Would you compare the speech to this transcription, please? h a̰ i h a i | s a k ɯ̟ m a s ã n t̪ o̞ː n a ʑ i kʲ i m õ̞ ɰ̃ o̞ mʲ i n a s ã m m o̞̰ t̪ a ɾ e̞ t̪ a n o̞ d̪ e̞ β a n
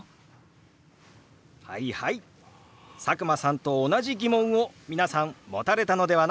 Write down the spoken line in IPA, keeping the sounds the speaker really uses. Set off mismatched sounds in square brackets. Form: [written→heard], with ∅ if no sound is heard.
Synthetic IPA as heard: h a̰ i h a i | s a k ɯ̟ m a s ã n t̪ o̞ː n a ʑ i [kʲ→ɡʲ] i m õ̞ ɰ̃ o̞ mʲ i n a s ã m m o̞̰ t̪ a ɾ e̞ t̪ a n o̞ d̪ e̞ β a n